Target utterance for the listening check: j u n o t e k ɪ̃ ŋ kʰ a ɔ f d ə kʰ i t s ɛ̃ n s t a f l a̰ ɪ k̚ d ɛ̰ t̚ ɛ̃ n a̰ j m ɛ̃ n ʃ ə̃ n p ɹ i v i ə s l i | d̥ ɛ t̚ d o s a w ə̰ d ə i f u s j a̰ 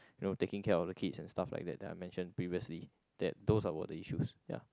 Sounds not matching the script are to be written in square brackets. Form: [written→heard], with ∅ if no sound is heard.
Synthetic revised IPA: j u n o t e k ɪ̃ ŋ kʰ [a→ɛ] ɔ f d ə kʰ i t s ɛ̃ n s t a f l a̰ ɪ k̚ d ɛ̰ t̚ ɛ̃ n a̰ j m ɛ̃ n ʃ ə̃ n p ɹ i v i ə s l i | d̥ ɛ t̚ d o s a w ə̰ d ə i [f→ʃ] u s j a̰